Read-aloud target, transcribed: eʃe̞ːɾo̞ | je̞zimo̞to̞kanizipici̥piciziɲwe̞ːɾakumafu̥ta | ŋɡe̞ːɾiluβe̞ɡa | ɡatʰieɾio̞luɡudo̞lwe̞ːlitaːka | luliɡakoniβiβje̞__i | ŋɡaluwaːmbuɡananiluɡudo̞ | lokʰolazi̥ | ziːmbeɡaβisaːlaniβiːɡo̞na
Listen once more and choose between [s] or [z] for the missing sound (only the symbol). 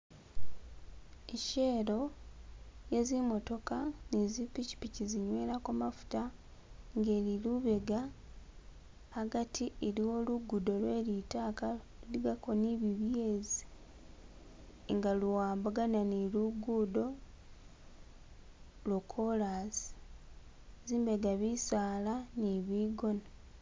z